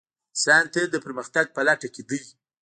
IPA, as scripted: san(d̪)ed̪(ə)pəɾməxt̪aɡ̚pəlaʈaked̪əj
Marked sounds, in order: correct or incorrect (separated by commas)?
incorrect, correct